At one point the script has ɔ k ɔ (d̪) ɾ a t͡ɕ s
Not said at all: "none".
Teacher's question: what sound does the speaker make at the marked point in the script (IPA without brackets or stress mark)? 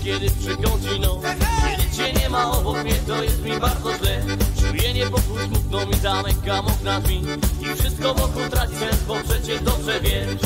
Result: t̪